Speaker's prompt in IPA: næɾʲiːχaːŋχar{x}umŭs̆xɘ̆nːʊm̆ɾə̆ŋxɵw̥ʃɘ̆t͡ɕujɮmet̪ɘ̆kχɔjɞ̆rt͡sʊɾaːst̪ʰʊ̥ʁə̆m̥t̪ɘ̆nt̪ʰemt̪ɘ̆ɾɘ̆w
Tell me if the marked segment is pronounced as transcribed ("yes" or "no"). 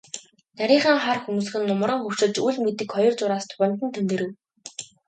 yes